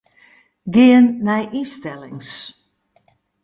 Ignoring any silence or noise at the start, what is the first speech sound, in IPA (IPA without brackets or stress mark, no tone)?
ɡ